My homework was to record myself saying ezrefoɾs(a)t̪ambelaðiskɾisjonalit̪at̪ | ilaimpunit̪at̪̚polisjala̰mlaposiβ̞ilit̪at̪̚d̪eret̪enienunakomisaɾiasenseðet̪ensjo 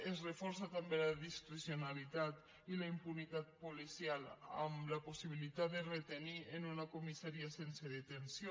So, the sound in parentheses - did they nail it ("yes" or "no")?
yes